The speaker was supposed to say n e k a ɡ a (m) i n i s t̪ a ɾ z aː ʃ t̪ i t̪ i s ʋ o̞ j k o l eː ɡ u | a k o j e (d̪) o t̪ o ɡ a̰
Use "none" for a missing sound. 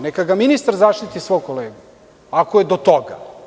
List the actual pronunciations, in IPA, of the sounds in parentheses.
m, d̪

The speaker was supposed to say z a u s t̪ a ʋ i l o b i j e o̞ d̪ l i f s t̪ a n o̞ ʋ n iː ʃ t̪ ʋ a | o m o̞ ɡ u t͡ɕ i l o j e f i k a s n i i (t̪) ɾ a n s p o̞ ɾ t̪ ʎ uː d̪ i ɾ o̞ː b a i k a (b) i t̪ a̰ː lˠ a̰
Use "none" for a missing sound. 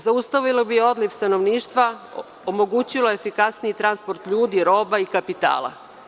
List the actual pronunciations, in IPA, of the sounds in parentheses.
t̪, p

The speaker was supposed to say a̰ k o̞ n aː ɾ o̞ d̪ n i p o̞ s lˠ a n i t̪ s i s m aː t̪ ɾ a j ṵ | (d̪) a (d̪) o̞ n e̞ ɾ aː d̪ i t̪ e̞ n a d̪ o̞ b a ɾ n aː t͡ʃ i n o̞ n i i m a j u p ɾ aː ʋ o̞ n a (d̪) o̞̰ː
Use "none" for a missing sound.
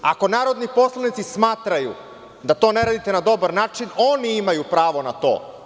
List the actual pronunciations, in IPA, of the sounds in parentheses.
d̪, t̪, t̪

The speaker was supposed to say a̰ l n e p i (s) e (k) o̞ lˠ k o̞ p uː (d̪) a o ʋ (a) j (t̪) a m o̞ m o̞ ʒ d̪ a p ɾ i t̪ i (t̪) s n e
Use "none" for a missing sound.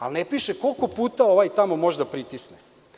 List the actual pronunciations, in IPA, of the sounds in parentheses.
ʃ, k, t̪, a, t̪, none

